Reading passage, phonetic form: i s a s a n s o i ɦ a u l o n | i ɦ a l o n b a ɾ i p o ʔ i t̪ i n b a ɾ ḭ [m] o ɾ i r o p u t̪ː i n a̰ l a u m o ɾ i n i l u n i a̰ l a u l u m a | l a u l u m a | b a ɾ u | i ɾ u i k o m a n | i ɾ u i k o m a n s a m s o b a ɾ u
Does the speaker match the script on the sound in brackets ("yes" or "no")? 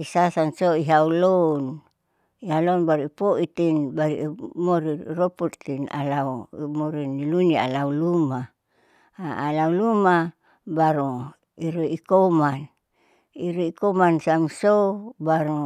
yes